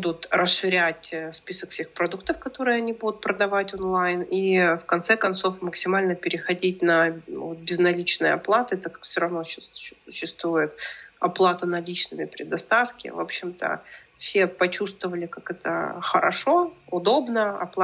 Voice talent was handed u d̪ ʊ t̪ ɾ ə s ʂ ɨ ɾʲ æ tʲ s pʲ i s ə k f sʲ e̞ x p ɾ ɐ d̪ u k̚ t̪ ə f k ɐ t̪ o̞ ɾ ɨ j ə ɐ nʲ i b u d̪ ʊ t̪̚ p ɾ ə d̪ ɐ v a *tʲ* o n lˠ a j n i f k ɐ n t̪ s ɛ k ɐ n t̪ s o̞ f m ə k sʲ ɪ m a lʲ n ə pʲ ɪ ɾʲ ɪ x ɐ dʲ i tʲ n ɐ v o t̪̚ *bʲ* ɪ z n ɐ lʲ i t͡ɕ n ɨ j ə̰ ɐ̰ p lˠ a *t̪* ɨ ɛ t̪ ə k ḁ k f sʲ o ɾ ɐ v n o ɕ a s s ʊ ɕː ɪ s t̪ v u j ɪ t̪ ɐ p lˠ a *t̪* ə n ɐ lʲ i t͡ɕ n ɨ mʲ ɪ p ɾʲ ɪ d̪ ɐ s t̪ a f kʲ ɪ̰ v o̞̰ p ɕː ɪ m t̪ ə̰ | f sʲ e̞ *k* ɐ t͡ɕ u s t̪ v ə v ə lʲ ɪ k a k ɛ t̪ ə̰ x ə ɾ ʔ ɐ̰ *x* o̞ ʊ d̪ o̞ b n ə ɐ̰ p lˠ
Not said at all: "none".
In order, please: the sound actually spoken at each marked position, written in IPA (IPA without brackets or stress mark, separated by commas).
tʲ, bʲ, t̪, t̪, p, ʂ